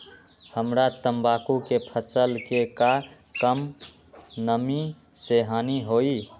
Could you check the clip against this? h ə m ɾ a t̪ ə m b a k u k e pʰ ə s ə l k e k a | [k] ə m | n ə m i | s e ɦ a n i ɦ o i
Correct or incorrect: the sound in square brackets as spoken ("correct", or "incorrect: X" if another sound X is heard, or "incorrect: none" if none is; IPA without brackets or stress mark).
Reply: correct